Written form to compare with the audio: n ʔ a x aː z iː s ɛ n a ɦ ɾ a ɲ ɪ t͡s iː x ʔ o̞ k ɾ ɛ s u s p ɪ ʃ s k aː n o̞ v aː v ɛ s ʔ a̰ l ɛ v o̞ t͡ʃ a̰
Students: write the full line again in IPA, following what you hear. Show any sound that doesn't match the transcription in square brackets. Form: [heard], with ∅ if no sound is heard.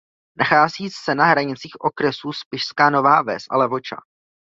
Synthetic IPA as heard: n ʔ a x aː z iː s ɛ n a ɦ ɾ a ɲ ɪ t͡s iː x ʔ o̞ k ɾ ɛ s u s p ɪ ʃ s k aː n o̞ v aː v ɛ s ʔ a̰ l ɛ v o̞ t͡ʃ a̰